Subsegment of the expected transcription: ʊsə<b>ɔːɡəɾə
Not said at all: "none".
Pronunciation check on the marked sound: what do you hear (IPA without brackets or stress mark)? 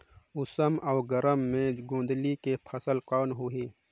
m